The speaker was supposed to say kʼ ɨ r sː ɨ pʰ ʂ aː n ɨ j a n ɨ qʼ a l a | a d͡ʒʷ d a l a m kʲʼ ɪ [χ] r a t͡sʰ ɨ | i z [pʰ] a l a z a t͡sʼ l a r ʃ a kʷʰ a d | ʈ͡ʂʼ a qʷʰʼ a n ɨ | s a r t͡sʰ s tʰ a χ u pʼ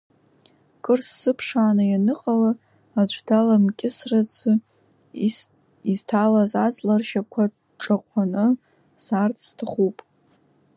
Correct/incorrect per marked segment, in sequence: incorrect: s, incorrect: tʰ

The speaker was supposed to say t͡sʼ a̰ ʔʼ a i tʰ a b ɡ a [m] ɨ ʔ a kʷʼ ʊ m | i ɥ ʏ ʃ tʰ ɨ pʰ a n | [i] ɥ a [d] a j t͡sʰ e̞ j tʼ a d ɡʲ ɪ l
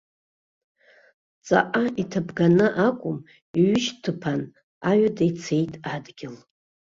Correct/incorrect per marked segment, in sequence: incorrect: n, incorrect: a, correct

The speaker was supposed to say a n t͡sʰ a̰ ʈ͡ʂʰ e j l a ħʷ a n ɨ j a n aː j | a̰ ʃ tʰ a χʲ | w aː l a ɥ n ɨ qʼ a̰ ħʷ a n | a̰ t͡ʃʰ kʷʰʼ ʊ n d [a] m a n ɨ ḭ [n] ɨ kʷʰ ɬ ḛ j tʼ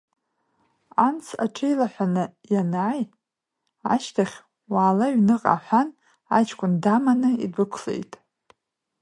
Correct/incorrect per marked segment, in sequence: correct, incorrect: d

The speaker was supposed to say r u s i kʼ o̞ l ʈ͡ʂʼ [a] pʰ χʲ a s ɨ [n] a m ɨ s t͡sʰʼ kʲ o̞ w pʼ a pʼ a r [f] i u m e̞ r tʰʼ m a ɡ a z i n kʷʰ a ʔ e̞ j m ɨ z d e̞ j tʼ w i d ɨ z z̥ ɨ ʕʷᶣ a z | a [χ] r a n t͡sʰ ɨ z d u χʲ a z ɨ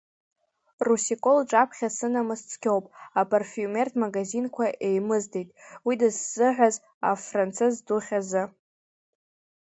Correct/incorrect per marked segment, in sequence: correct, correct, correct, incorrect: f

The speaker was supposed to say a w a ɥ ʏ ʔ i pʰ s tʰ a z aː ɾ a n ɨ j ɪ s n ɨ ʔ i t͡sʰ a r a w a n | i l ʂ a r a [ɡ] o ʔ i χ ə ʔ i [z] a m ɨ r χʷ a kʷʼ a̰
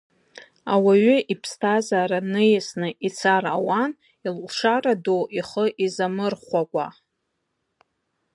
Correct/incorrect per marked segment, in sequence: incorrect: d, correct

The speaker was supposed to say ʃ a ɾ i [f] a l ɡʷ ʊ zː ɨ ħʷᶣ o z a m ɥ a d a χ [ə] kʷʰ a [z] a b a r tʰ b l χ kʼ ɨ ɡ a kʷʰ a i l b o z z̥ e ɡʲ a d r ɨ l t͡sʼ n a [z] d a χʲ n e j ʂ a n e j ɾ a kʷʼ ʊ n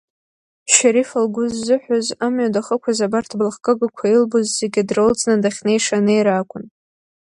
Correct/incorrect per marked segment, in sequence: correct, correct, correct, incorrect: none

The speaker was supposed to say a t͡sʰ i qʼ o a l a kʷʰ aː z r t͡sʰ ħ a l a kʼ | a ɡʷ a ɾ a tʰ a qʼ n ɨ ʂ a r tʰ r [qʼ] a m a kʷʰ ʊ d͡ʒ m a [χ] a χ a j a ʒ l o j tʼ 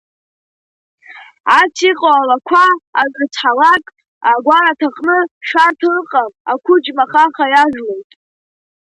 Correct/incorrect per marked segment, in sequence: correct, correct

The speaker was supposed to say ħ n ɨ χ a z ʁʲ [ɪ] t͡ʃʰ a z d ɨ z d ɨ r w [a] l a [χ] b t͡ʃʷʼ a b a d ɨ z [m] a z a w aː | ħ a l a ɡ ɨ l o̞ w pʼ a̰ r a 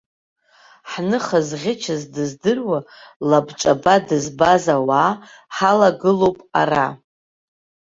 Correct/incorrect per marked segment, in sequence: correct, correct, incorrect: none, incorrect: b

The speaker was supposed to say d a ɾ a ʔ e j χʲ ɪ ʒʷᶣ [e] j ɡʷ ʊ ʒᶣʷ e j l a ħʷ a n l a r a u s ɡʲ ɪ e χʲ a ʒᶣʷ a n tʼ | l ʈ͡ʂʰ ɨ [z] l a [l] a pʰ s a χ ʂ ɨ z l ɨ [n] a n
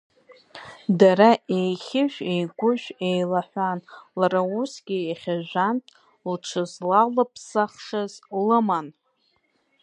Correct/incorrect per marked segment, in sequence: correct, correct, correct, incorrect: m

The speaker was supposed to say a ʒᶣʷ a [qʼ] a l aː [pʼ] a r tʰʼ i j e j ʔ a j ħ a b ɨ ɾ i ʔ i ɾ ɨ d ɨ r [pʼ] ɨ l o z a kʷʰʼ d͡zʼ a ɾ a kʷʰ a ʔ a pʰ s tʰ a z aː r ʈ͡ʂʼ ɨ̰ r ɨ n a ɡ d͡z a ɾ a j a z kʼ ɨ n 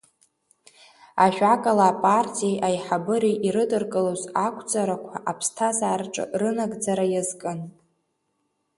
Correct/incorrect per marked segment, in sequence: incorrect: kʼ, correct, incorrect: kʼ

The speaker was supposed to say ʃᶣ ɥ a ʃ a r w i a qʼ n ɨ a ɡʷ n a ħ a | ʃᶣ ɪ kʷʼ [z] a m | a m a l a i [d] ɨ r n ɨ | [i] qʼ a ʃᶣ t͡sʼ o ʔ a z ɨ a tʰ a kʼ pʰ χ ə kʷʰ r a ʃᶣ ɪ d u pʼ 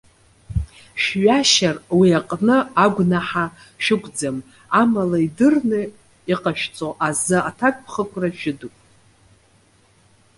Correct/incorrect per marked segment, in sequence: incorrect: d͡z, correct, correct

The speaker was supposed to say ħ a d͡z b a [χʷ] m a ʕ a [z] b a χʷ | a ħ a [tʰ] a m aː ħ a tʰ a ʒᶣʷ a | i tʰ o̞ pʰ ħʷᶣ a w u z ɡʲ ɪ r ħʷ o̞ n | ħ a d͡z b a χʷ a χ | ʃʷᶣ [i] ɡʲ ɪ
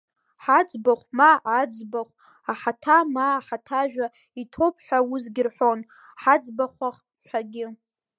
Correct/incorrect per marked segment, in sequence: correct, incorrect: d͡z, correct, incorrect: a

